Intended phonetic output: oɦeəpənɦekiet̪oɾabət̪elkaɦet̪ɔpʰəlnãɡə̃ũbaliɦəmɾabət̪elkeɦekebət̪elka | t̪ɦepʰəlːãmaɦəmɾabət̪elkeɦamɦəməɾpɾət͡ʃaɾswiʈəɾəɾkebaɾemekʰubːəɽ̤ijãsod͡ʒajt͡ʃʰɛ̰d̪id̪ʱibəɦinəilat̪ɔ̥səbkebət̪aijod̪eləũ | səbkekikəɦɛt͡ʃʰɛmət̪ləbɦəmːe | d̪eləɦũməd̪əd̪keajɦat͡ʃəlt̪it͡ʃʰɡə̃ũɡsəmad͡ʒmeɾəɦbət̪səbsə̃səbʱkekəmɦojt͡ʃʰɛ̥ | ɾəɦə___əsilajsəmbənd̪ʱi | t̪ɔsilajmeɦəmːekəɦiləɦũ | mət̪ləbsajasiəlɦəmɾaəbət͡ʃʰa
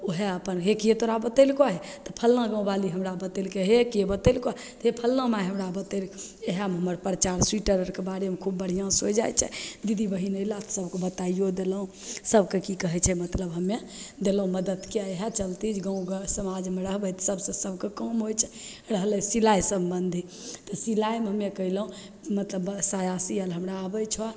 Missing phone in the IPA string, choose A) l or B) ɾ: A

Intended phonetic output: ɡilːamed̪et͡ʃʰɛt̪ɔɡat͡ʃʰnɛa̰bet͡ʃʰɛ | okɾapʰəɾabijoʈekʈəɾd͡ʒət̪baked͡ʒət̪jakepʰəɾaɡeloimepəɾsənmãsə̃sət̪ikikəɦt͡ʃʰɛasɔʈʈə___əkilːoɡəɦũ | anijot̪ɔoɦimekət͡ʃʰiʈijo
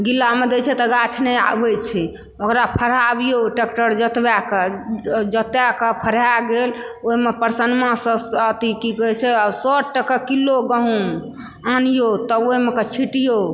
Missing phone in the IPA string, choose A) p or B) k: B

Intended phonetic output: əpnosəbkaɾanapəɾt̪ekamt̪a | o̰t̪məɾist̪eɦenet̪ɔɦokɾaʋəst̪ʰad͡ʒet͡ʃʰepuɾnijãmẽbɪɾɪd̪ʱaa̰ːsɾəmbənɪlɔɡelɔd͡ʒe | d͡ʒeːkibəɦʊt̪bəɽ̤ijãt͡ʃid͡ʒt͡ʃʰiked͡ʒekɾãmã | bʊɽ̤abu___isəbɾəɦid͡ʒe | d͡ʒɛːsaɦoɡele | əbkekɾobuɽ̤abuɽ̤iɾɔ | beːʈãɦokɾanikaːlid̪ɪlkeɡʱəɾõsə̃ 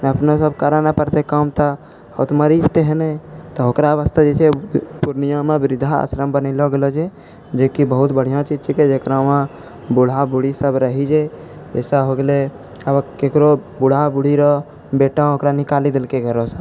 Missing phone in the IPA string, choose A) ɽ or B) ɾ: A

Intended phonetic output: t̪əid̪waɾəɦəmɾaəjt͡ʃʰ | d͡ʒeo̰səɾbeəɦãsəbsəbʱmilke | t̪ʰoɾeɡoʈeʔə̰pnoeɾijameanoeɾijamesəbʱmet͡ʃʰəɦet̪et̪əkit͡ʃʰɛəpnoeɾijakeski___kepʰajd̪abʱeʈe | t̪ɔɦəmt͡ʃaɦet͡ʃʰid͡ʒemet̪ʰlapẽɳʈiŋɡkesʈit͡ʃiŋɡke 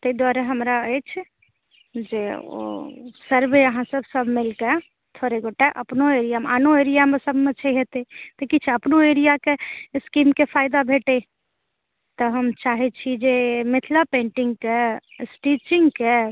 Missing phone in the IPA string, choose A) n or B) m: B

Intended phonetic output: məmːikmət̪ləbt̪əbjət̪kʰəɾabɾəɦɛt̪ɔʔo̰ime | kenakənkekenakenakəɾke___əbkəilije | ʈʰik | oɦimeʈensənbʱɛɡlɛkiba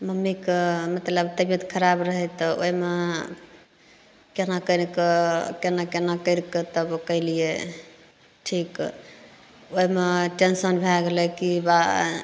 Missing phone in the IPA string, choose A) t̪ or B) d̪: A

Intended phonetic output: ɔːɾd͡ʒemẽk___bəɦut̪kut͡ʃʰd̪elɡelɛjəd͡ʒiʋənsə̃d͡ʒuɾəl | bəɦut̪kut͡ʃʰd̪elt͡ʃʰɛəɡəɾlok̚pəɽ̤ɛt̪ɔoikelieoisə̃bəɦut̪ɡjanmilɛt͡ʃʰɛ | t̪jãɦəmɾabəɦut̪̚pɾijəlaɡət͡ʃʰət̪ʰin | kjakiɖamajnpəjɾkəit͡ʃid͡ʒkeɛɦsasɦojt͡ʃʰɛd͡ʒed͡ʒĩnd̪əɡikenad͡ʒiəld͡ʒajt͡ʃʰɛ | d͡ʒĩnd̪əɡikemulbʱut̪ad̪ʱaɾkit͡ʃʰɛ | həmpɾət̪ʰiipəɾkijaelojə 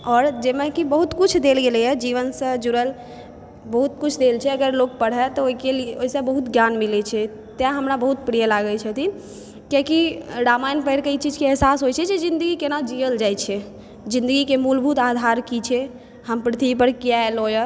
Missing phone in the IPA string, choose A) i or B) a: A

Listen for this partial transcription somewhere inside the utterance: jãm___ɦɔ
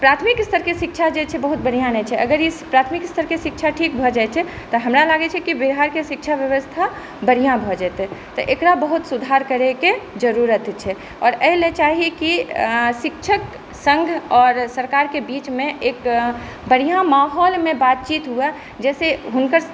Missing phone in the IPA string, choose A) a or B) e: A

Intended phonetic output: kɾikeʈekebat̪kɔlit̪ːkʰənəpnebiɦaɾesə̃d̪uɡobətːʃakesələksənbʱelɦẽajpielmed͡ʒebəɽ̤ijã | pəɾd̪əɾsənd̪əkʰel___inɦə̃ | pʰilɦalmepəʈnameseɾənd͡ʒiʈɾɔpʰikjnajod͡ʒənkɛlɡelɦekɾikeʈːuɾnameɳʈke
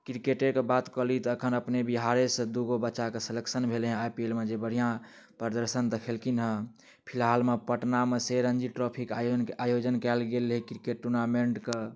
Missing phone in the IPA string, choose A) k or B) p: A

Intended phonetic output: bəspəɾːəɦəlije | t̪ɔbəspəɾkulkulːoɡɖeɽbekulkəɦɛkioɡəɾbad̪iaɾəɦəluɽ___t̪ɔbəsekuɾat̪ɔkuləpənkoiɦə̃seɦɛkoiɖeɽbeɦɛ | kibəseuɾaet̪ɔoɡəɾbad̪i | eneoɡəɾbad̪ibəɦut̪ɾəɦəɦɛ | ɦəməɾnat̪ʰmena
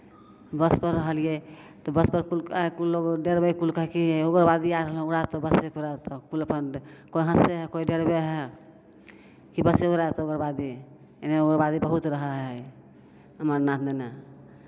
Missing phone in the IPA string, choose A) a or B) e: A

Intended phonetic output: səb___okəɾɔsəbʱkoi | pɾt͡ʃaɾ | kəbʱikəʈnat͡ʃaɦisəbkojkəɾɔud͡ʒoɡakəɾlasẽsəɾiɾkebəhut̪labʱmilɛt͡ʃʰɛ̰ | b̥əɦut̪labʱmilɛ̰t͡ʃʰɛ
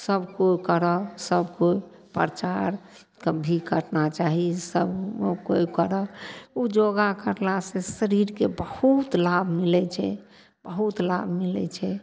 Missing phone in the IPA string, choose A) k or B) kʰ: A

